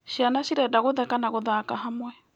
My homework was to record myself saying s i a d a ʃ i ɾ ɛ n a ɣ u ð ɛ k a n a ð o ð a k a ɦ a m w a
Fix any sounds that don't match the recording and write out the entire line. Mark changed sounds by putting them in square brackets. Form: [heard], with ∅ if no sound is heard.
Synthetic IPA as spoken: [ʃ] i a [n] a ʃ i ɾ ɛ [d] a ɣ [o] ð ɛ k a n a [ɣ] o ð a k a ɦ a m w [ɛ]